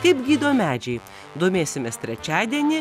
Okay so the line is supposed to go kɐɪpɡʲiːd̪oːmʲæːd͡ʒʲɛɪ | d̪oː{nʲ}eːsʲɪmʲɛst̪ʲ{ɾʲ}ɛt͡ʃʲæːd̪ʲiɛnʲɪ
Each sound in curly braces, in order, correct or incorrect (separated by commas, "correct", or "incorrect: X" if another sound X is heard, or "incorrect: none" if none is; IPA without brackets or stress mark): incorrect: mʲ, correct